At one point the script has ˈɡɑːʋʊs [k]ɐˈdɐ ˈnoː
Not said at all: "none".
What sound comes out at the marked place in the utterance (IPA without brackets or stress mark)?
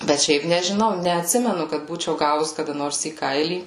k